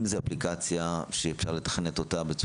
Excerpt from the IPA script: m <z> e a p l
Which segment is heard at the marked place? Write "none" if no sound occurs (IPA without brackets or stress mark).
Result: z